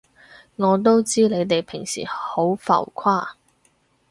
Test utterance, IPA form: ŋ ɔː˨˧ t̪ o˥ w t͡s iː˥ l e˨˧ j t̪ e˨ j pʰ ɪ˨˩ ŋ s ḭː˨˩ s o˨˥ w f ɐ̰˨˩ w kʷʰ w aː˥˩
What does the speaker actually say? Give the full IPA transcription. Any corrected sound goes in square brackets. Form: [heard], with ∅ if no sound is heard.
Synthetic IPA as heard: ŋ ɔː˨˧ t̪ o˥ w t͡s iː˥ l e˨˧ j t̪ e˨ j pʰ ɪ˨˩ ŋ s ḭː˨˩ [h] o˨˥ w f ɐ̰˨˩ w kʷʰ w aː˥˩